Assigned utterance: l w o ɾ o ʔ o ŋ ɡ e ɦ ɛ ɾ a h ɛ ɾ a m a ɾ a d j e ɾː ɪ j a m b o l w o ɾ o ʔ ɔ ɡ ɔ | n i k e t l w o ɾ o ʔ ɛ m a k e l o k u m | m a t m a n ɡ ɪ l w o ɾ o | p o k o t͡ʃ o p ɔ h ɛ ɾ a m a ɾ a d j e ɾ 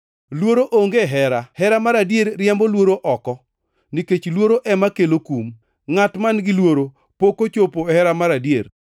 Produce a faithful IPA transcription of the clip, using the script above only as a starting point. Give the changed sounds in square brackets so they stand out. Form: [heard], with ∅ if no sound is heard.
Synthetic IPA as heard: l w o ɾ o ʔ o ŋ ɡ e ɦ ɛ ɾ a h ɛ ɾ a m a ɾ a d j e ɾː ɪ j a m b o l w o ɾ o ʔ ɔ [k] ɔ | n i k e [t͡ʃ] l w o ɾ o ʔ ɛ m a k e l o k u m | [ŋ] a t m a n ɡ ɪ l w o ɾ o | p o k o t͡ʃ o p [o] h ɛ ɾ a m a ɾ a d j e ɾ

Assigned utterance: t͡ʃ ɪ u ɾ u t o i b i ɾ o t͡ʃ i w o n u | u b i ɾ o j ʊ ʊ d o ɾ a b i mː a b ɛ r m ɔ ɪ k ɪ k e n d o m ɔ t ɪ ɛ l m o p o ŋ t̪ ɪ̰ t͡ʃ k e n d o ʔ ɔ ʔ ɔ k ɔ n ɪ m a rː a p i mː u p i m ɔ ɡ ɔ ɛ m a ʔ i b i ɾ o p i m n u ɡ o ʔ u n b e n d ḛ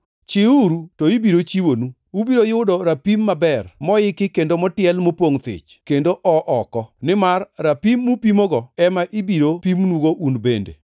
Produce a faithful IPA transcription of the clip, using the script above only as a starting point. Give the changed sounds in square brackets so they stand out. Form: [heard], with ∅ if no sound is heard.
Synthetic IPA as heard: t͡ʃ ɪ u ɾ u t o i b i ɾ o t͡ʃ i w o n u | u b i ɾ o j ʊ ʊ d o ɾ a [p] i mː a b ɛ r m ɔ ɪ k ɪ k e n d o m ɔ t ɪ ɛ l m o p o ŋ t̪ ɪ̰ t͡ʃ k e n d o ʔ ɔ ʔ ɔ k ɔ n ɪ m a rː a p i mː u p i m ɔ ɡ ɔ ɛ m a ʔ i b i ɾ o p i m n u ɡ o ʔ u n b e n d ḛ

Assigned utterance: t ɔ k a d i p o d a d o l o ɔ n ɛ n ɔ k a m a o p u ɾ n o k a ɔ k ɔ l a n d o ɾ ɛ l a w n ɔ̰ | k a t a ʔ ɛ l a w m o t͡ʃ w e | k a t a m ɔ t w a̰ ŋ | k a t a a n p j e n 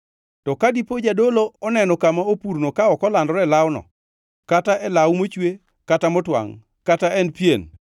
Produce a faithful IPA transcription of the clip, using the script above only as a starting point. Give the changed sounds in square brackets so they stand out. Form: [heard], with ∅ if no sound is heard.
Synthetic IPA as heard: t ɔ k a d i p o [d͡ʒ] a d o l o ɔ n ɛ n ɔ k a m a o p u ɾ n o k a ɔ k ɔ l a n d [ɔ] ɾ ɛ l a w n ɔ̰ | k a t a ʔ ɛ l a w m o t͡ʃ w e | k a t a m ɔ t w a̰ ŋ | k a t a [ɛ] n p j e n

